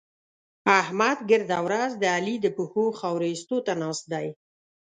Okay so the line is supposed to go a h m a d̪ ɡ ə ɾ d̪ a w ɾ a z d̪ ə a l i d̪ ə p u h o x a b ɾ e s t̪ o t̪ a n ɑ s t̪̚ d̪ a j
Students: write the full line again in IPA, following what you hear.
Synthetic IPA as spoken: a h m a d̪ ɡ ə ɾ d̪ a w ɾ a z d̪ ə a l i d̪ ə p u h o x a w ɾ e s t̪ o t̪ a n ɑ s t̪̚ d̪ a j